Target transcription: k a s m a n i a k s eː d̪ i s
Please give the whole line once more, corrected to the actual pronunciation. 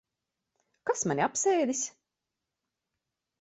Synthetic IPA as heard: k a s m a n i a p s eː d̪ i s